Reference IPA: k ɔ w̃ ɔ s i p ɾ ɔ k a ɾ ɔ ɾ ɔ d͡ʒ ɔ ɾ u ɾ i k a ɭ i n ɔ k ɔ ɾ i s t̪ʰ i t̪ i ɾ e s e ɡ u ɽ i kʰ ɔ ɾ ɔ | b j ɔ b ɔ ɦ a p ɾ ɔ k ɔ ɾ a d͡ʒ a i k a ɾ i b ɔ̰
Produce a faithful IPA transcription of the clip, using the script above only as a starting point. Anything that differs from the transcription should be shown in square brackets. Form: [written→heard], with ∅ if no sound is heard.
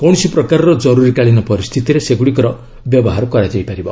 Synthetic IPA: k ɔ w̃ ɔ s i p ɾ ɔ k a ɾ ɔ ɾ ɔ d͡ʒ ɔ ɾ u ɾ i k a ɭ i n ɔ [k→p] ɔ ɾ i s t̪ʰ i t̪ i ɾ e s e ɡ u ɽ i [kʰ→k] ɔ ɾ ɔ | b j ɔ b ɔ ɦ a [p→∅] ɾ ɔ k ɔ ɾ a d͡ʒ a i [k→p] a ɾ i b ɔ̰